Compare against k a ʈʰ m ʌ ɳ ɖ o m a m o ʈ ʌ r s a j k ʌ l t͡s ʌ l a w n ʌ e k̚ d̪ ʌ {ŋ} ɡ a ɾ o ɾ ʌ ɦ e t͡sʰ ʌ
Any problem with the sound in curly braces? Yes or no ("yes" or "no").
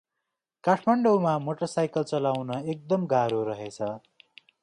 yes